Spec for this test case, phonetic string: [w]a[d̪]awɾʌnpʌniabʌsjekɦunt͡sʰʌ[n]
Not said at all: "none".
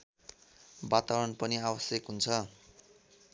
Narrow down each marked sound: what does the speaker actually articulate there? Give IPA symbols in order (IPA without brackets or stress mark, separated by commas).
b, t̪, none